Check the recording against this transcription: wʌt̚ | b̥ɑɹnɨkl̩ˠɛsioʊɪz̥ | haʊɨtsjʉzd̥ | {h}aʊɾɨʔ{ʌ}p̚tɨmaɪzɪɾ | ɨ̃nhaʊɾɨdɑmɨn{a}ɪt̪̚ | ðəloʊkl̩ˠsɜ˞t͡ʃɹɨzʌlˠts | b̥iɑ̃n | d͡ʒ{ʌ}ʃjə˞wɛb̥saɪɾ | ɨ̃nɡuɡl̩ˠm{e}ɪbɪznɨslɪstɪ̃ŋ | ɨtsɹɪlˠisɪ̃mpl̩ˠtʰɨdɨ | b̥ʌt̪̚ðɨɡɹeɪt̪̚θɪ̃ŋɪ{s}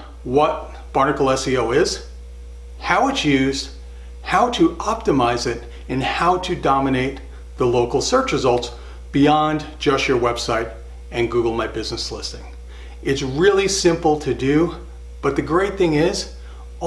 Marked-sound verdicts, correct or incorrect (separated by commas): correct, incorrect, incorrect, correct, incorrect, incorrect